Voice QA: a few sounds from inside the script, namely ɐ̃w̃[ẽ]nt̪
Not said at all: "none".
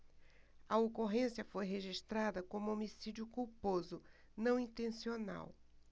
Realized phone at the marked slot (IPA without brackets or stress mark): ĩ